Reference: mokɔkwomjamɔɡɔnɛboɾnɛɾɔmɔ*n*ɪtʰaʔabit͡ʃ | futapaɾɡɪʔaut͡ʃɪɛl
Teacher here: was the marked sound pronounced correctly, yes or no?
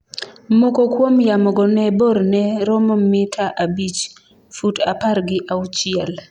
no